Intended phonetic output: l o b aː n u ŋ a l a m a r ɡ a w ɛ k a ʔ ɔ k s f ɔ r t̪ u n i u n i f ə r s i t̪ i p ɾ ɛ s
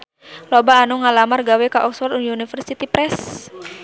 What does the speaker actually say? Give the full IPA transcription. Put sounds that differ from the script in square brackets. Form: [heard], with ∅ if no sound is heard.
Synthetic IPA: l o b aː n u ŋ a l a m a r ɡ a w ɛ k a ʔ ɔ k s f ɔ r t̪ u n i u n i f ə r s i t̪ i p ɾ ɛ s